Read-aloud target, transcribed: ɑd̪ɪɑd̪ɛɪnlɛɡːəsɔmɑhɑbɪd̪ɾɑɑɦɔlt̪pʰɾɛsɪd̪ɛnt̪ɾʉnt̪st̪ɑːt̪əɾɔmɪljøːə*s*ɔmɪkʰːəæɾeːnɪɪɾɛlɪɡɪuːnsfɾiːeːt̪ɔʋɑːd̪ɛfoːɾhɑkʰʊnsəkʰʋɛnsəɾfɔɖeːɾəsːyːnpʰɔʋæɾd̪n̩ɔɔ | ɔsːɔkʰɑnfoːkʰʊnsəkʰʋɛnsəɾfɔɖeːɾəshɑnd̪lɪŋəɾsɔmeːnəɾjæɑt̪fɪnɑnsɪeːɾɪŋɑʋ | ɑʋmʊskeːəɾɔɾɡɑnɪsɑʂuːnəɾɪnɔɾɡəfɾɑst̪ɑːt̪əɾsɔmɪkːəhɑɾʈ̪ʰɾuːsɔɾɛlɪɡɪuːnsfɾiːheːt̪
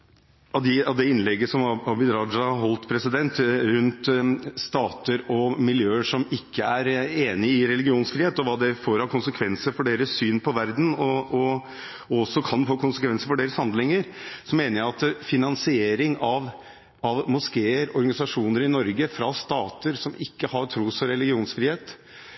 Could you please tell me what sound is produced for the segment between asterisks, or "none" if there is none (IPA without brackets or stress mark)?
ʂ